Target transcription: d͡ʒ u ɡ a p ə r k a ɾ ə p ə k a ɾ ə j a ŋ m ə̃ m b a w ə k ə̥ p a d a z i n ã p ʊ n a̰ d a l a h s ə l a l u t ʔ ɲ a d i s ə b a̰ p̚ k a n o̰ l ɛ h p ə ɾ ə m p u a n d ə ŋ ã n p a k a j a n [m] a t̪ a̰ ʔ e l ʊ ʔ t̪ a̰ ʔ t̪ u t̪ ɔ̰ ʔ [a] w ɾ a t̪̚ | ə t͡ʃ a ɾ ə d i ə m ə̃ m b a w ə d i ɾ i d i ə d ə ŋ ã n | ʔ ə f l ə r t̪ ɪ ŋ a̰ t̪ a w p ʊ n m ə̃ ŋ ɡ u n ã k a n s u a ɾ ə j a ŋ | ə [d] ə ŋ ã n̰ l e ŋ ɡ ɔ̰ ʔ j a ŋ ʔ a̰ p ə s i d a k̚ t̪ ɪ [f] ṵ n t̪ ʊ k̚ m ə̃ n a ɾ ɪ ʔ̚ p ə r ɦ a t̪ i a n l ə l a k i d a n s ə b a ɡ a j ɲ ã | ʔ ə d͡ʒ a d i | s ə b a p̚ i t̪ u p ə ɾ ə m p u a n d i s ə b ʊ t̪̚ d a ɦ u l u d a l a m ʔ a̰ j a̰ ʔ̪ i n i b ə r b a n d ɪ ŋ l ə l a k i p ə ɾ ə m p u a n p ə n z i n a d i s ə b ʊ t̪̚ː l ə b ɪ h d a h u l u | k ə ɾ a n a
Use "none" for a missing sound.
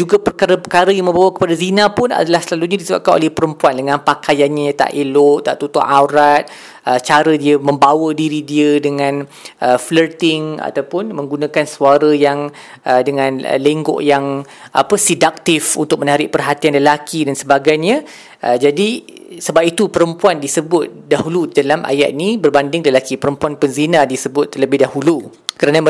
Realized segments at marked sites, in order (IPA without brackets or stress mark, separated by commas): ɲ, a, d, f